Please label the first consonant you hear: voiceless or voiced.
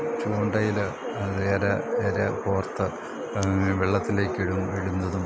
voiceless